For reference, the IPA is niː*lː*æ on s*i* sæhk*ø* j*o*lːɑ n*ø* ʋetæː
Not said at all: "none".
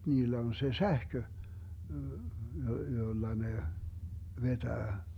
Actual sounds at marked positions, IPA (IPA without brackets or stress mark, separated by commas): lː, e, ø, o, e